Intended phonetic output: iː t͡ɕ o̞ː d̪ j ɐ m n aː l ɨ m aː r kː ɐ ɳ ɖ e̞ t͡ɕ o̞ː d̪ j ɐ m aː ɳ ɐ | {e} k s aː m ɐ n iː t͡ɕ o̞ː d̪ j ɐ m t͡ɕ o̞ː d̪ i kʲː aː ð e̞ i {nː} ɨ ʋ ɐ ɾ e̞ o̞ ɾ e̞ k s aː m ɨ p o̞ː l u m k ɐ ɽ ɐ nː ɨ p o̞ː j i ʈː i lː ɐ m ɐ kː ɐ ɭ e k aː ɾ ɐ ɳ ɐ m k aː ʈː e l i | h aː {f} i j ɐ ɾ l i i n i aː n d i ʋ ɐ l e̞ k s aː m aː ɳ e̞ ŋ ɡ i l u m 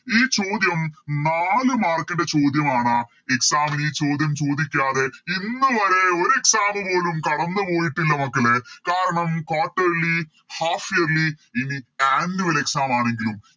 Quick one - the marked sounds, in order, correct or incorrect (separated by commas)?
correct, correct, correct